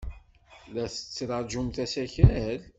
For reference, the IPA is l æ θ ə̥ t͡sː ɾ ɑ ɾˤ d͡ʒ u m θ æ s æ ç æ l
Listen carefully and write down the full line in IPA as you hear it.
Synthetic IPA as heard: l æ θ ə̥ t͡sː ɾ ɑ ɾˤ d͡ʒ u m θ æ s æ ç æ l